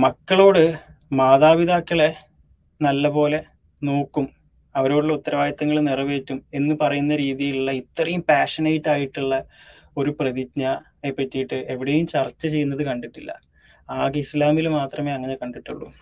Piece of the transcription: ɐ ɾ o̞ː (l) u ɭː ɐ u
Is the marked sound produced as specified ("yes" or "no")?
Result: no